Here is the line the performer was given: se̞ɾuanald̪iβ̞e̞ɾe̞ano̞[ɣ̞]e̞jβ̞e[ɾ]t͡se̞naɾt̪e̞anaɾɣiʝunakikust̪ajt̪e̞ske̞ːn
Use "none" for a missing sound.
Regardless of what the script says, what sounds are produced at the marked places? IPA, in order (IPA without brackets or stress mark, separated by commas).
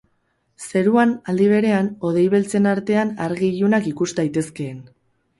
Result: ð̞, l